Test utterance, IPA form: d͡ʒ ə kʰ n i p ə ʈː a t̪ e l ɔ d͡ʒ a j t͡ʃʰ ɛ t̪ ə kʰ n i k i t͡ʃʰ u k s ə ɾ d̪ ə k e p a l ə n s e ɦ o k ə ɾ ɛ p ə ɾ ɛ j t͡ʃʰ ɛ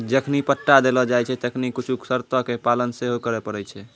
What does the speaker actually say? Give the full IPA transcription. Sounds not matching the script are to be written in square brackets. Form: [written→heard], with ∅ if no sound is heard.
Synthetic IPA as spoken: d͡ʒ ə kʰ n i p ə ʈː a [t̪→d̪] e l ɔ d͡ʒ a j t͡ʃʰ ɛ t̪ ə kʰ n i k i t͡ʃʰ u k s ə ɾ [d̪→t̪] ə k e p a l ə n s e ɦ o k ə ɾ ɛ p ə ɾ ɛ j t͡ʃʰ ɛ